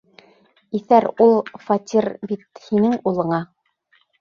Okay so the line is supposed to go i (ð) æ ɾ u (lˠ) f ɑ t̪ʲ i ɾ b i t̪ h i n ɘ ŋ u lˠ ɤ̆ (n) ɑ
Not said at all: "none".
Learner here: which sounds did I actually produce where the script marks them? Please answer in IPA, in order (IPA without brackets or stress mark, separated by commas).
θ, lˠ, ɴ